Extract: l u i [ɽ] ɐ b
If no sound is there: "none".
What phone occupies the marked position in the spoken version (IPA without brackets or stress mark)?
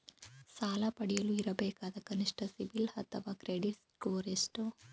ɾ